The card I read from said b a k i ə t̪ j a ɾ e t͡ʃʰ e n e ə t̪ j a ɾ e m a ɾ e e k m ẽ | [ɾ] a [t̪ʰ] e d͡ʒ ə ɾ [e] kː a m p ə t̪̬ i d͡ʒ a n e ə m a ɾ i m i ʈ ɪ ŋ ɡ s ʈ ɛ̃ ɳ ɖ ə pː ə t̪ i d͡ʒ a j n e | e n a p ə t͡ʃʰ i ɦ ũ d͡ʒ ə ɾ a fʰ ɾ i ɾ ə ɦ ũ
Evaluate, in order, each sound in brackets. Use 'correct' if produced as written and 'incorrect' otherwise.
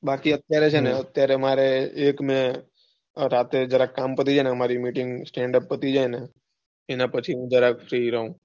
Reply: correct, incorrect: t̪, incorrect: a

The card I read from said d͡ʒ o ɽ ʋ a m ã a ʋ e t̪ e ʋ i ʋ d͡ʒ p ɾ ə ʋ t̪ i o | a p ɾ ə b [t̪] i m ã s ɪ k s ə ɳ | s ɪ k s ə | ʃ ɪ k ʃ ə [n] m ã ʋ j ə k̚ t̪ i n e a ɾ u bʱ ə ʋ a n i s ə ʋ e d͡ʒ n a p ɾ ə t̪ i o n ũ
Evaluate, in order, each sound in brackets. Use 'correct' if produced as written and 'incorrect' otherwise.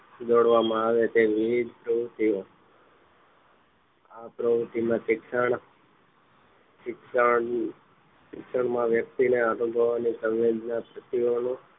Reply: correct, incorrect: ɳ

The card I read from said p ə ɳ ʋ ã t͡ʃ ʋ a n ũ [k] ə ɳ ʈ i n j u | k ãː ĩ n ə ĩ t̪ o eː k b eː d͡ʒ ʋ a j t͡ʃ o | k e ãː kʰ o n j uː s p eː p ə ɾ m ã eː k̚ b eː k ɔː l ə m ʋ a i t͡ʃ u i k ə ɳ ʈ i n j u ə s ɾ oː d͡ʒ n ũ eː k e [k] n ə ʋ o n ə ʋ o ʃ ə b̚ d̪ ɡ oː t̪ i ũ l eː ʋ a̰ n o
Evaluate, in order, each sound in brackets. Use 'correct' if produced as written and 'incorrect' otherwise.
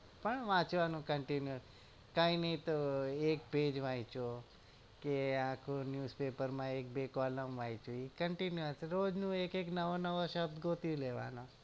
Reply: correct, correct

